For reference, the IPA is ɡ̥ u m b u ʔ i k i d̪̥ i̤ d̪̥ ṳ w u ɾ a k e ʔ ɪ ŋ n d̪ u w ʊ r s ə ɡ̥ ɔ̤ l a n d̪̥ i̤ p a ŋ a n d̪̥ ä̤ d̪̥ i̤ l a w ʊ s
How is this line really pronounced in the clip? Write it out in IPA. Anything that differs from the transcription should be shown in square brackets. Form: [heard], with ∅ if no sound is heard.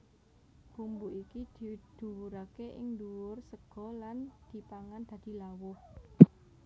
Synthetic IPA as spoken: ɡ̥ u m b u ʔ i k i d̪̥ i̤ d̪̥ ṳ w u ɾ a k e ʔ ɪ ŋ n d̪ u w ʊ r s ə ɡ̥ ɔ̤ l a n d̪̥ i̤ p a ŋ a n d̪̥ ä̤ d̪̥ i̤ l a w ʊ [h]